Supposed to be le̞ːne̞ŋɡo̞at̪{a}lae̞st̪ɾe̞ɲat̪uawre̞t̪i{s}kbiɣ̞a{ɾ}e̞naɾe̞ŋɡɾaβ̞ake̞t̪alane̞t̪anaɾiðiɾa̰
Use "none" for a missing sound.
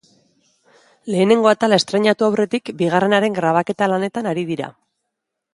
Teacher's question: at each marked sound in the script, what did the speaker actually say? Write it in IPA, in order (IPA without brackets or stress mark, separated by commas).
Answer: a, none, r